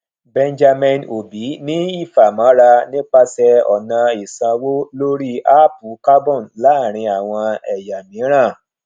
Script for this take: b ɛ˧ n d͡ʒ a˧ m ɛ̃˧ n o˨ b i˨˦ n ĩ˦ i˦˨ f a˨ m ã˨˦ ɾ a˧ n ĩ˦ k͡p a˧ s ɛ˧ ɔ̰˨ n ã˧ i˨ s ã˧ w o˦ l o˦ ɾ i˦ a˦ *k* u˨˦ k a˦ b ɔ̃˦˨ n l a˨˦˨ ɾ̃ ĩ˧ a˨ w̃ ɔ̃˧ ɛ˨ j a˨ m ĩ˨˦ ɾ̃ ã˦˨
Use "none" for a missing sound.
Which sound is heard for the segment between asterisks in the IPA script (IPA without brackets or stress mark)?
p